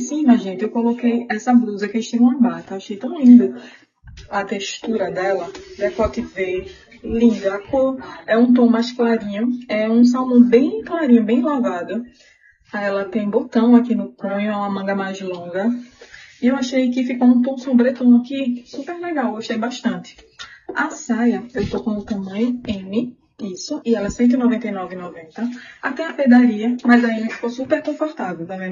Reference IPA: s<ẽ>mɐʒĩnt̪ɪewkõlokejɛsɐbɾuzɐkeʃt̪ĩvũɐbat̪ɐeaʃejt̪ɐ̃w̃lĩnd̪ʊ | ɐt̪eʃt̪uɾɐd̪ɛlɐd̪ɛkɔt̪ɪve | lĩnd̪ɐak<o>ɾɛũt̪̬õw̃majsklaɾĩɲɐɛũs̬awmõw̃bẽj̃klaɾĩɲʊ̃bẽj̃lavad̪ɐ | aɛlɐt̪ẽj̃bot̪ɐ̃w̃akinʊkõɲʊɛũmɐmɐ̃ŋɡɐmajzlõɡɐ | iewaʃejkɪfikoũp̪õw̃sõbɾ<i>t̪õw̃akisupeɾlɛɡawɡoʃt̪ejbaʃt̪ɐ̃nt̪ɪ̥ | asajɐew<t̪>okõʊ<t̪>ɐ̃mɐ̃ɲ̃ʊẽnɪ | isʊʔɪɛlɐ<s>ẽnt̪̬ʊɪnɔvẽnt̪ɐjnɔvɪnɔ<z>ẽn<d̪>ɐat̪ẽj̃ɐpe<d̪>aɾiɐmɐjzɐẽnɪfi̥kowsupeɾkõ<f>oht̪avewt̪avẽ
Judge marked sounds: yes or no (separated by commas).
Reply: no, yes, no, yes, yes, yes, no, no, yes, yes